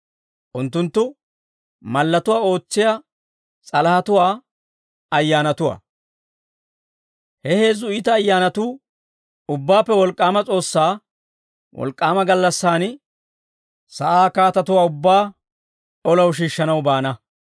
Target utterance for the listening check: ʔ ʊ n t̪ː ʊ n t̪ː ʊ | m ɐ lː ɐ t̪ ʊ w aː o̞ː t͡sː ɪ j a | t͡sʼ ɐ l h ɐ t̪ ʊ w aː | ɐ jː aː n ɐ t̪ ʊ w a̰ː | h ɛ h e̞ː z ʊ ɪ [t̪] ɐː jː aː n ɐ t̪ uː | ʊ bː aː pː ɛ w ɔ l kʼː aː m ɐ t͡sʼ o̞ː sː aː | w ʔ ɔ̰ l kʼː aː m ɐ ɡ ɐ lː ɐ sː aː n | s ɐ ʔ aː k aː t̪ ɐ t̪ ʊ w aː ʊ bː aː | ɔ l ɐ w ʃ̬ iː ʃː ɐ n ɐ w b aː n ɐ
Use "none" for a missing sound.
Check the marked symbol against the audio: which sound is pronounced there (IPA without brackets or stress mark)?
t̪